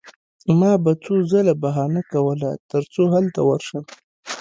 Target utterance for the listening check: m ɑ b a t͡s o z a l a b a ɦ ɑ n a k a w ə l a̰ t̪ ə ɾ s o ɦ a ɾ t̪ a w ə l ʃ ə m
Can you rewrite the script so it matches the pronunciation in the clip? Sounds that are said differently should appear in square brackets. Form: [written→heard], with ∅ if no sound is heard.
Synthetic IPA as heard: m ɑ b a t͡s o z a l a b a ɦ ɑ n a k a w ə l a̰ t̪ ə ɾ [s→t͡s] o ɦ a [ɾ→l] t̪ a w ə [l→ɾ] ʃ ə m

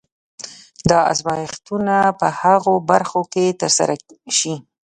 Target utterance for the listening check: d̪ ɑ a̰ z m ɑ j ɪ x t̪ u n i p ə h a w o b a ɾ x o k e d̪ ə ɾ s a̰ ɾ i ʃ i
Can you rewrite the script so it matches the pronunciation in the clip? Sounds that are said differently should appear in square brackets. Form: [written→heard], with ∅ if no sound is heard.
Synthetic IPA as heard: d̪ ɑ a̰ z m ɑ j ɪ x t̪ u n [i→a] p ə h a [w→ɣ] o b a ɾ x o k e [d̪→t̪] ə ɾ s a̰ ɾ [i→a] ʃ i

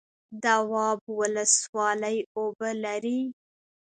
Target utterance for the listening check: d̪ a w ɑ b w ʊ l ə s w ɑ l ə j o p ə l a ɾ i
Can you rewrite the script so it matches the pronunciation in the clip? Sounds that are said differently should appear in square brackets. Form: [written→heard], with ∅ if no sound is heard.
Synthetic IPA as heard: d̪ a w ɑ b w ʊ l ə s w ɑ l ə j o [p→b] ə l a ɾ i

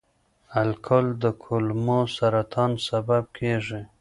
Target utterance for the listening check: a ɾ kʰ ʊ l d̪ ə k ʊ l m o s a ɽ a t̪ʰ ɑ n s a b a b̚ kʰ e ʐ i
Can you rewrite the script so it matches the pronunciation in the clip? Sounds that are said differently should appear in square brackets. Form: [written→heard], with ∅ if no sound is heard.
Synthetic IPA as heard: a [ɾ→l] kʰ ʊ l d̪ ə [k→kʰ] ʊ l m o s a [ɽ→ɾ] a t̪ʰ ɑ n s a b a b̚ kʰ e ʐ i

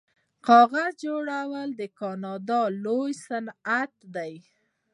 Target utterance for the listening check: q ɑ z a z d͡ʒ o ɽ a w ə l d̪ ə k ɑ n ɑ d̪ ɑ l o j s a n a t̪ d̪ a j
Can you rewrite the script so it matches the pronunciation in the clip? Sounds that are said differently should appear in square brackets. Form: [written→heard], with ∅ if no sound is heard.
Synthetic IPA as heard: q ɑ [z→ɣ] a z d͡ʒ o ɽ a w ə l d̪ ə k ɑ n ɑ d̪ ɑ l o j s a n a t̪ d̪ a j

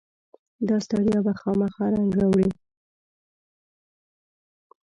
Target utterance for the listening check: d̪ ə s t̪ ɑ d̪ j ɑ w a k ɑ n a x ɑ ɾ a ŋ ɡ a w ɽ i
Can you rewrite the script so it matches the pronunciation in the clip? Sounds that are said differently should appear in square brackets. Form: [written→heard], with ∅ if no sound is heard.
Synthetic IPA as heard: d̪ [ə→ɑ] s t̪ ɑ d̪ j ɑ [w→b] a [k→x] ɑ [n→m] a x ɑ ɾ a ŋ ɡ a w ɽ i

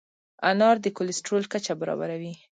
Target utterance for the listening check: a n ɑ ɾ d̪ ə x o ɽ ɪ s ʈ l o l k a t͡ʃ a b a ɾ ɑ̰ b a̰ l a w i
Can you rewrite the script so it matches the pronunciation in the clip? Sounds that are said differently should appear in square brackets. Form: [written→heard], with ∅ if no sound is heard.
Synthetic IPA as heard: a n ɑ ɾ d̪ ə [x→k] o [ɽ→l] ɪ s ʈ [l→ɾ] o l k a t͡ʃ a b a ɾ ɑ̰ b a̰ [l→ɾ] a w i

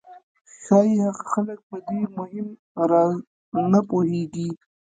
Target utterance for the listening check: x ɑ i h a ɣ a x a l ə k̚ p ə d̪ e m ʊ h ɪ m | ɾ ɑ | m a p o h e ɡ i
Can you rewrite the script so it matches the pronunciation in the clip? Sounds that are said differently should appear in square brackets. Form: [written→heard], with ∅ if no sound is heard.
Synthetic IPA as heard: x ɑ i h a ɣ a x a l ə k̚ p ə d̪ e m ʊ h ɪ m | ɾ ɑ | [m→n] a p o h e ɡ i

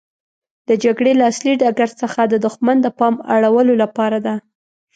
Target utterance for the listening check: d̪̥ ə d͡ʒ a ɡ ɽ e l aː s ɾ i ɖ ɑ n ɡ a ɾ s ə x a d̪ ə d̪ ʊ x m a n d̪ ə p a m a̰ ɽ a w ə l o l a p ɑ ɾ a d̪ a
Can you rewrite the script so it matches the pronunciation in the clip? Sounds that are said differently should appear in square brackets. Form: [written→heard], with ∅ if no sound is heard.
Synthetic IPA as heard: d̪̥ ə d͡ʒ a ɡ ɽ e l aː s [ɾ→l] i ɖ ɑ [n→∅] ɡ a ɾ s ə x a d̪ ə d̪ ʊ x m a n d̪ ə p [a→ɑ] m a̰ ɽ a w ə l o l a p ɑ ɾ a d̪ a

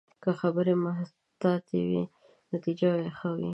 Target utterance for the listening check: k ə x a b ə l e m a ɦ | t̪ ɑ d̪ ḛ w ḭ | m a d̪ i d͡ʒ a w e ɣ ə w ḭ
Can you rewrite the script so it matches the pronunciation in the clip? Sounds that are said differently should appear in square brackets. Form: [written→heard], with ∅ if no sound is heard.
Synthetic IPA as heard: k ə x a b ə [l→ɾ] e m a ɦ | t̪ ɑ [d̪→t̪] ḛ w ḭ | [m→n] a [d̪→t̪] i d͡ʒ a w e [ɣ→x] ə w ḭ

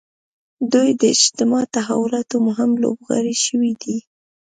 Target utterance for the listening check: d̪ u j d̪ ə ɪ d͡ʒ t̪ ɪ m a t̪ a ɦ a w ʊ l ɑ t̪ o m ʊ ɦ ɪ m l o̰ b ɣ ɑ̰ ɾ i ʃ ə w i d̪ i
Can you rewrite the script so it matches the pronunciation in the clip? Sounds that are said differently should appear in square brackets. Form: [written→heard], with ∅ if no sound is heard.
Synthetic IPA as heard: d̪ u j d̪ ə ɪ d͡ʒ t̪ ɪ m [a→ɑ] t̪ a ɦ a w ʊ l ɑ t̪ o m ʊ ɦ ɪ m l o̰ b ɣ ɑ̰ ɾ i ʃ ə w i d̪ i

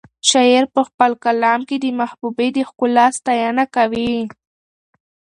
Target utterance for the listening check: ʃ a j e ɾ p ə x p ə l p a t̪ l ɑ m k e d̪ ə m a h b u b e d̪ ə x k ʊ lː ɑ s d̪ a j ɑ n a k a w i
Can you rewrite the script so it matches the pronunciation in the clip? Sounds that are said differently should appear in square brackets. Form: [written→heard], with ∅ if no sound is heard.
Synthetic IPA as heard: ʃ a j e ɾ p ə x p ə l [p→k] a [t̪→∅] l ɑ m k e d̪ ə m a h b u b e d̪ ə x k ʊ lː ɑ s [d̪→t̪] a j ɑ n a k a w i

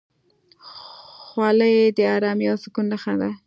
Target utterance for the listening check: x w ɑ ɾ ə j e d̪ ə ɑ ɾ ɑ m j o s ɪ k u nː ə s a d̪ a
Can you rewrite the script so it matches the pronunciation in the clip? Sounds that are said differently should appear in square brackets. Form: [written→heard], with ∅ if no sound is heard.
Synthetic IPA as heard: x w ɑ [ɾ→l] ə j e d̪ ə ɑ ɾ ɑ m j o s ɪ k u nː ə [s→x] a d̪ a

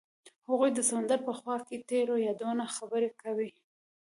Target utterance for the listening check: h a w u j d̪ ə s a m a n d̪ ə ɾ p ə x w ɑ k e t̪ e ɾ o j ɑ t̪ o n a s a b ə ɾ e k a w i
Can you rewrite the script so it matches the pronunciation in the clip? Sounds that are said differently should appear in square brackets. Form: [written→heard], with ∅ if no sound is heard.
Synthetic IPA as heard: h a [w→ɣ] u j d̪ ə s a m a n d̪ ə ɾ p ə x w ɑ k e t̪ e ɾ o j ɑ [t̪→d̪] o n a [s→x] a b ə ɾ e k a w i

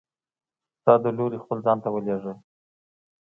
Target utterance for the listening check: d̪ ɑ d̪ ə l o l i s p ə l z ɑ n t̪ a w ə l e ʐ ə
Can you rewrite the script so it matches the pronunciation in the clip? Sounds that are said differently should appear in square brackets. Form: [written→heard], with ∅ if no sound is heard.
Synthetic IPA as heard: [d̪→t̪] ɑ d̪ ə l o [l→ɾ] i [s→x] p ə l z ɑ n t̪ a w ə l e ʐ ə

